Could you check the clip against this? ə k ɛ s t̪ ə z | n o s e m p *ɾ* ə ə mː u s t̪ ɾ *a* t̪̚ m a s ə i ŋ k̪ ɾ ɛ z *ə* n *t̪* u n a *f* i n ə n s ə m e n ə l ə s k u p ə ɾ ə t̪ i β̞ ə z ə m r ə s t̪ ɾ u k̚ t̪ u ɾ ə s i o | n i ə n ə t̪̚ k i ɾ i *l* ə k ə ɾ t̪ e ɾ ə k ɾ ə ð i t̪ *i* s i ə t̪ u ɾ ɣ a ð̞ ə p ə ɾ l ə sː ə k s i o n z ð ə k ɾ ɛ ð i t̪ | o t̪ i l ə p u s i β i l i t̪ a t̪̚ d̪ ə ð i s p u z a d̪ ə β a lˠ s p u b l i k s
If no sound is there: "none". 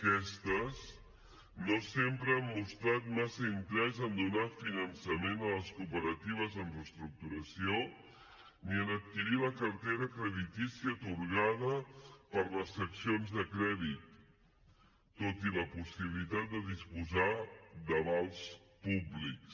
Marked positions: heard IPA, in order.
ɾ, a, ə, d̪, f, l, i

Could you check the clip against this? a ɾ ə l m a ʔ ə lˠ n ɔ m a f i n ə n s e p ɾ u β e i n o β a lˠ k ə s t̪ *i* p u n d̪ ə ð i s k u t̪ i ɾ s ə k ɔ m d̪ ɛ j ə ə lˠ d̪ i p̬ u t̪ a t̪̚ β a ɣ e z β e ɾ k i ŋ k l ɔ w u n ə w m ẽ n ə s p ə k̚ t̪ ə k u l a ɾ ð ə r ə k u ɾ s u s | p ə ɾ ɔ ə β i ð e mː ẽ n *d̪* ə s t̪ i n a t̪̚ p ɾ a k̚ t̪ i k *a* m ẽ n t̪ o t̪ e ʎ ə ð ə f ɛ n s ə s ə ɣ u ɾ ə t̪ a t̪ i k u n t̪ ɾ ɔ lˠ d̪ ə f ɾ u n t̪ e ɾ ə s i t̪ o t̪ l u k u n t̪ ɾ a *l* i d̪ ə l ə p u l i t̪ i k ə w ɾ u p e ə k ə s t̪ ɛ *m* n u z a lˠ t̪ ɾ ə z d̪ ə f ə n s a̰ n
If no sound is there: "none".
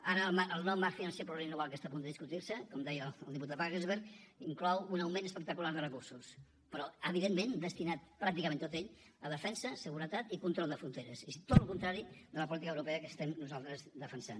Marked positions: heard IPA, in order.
a, d̪, ə, ɾ, m

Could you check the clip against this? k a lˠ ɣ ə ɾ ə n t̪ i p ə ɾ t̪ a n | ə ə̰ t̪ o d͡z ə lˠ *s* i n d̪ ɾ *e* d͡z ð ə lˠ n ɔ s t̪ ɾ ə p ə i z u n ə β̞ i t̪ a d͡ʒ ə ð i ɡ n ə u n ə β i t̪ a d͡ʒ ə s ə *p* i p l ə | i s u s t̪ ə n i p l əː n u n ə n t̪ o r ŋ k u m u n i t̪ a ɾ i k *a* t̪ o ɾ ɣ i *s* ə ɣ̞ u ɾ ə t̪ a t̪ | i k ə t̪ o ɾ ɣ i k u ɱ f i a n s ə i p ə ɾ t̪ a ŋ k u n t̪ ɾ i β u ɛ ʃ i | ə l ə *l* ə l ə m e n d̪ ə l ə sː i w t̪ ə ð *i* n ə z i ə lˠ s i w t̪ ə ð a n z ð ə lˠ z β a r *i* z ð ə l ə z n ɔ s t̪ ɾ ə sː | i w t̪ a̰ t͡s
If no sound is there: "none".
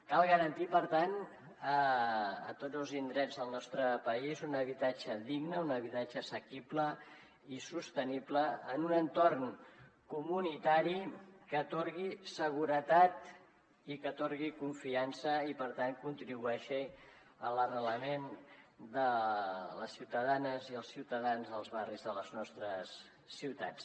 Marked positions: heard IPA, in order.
z, ɛ, k, ə, s, r, a, i

